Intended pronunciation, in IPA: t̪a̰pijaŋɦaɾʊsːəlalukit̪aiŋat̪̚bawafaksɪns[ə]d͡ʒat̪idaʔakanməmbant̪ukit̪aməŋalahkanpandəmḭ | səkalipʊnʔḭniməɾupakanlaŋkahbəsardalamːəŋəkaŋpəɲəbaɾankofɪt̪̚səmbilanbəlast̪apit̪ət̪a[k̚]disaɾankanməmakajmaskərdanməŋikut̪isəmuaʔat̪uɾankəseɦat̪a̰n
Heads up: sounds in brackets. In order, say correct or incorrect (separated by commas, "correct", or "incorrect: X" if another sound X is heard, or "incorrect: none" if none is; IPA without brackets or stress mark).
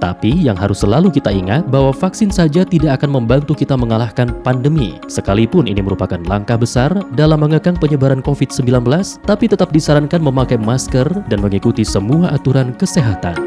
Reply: incorrect: a, incorrect: p̚